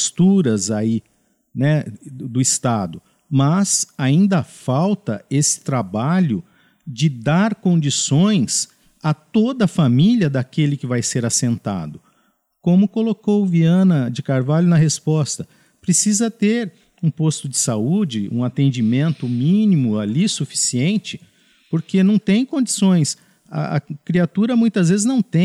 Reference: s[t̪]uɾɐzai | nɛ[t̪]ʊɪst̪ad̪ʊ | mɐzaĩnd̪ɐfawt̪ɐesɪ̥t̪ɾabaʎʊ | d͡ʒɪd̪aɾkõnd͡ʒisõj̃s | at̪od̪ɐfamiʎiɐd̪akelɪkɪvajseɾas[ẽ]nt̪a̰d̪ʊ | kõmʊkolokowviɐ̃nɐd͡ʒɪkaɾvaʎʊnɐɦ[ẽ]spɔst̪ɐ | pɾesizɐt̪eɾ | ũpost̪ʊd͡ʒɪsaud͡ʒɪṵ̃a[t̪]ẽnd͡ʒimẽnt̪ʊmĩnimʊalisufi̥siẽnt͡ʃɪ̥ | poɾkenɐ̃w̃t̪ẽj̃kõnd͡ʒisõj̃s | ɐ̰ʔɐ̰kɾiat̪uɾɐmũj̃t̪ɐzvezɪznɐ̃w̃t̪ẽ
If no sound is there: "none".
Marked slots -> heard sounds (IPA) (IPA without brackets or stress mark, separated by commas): t̪, d̪, ẽ, e, t̪